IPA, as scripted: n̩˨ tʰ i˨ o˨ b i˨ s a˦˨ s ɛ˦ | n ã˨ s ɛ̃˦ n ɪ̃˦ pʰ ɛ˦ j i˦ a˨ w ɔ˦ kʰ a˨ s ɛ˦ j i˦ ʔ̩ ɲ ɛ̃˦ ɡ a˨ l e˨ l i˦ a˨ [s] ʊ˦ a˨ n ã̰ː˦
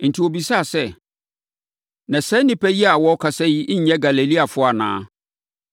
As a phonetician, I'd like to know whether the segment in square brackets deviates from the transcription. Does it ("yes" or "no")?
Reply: yes